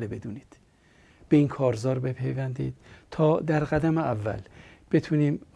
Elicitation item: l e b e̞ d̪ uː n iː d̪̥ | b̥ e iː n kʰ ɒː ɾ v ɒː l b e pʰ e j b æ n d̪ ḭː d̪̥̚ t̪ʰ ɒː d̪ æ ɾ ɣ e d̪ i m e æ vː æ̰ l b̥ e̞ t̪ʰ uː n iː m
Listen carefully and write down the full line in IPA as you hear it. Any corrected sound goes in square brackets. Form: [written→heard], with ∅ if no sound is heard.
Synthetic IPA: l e b e̞ d̪ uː n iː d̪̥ | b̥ e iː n kʰ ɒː ɾ [v→z] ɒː [l→ɾ] b e pʰ e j [b→v] æ n d̪ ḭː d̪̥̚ t̪ʰ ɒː d̪ æ ɾ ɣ [e→æ] d̪ [i→æ] m e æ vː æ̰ l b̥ e̞ t̪ʰ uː n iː m